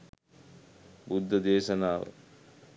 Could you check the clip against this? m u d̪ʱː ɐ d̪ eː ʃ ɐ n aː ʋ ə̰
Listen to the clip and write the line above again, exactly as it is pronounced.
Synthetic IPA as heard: b u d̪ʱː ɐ d̪ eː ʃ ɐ n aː ʋ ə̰